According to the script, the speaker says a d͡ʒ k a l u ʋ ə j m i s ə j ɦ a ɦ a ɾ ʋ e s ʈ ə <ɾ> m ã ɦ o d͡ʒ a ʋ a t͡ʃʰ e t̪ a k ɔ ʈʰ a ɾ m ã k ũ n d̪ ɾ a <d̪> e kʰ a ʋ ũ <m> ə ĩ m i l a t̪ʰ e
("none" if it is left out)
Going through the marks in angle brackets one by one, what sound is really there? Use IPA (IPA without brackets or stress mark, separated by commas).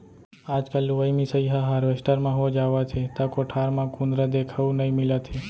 ɾ, d̪, n